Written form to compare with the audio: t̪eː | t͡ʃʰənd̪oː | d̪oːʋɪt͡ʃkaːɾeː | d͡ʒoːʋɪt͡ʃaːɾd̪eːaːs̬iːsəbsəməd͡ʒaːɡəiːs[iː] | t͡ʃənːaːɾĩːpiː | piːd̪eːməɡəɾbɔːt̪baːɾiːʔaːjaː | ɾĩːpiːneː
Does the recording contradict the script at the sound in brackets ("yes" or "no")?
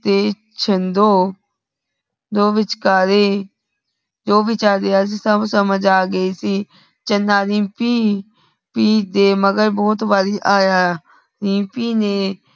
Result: no